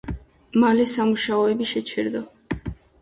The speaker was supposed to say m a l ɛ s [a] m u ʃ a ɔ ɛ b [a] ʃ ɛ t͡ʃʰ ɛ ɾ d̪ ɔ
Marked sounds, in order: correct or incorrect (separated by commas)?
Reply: correct, incorrect